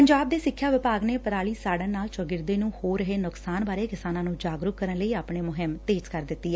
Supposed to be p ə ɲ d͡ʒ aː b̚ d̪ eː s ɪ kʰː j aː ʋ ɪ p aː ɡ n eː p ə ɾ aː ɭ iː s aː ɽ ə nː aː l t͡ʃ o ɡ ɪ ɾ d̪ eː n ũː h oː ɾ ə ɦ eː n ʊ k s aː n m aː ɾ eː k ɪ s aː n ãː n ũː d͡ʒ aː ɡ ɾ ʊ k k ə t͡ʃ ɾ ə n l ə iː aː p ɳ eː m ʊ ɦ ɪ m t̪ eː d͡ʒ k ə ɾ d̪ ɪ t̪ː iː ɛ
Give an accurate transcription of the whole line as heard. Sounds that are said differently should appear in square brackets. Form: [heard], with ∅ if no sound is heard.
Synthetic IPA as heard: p ə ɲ d͡ʒ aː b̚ d̪ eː s ɪ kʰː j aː ʋ ɪ p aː ɡ n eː p ə ɾ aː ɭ iː s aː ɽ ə [n] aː l t͡ʃ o ɡ ɪ ɾ d̪ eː n ũː h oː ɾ ə ɦ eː n ʊ k s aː n [b] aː ɾ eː k ɪ s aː n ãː n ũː d͡ʒ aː ɡ ɾ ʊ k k ə [∅] ɾ ə n l ə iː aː p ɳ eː m ʊ ɦ ɪ m t̪ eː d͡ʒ k ə ɾ d̪ ɪ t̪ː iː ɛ